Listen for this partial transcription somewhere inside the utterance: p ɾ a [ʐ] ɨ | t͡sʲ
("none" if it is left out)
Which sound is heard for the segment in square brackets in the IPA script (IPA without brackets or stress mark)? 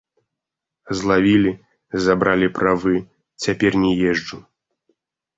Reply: v